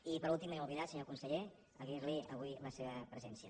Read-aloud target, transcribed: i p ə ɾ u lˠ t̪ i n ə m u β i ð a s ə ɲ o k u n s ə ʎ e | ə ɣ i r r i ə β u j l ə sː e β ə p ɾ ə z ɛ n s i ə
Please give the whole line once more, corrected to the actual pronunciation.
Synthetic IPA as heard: i p ə ɾ u lˠ t̪ i m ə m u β i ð a s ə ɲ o k u n s ə ʎ e | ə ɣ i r l i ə β u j l ə s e β ə p ɾ ə z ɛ n s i ə